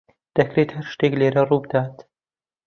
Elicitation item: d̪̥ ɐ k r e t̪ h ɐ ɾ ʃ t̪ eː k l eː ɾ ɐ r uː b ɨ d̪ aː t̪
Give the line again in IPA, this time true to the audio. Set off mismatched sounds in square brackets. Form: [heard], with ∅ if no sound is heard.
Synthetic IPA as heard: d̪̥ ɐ k [ɾ] e t̪ h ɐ ɾ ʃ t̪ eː k l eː ɾ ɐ r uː b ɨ d̪ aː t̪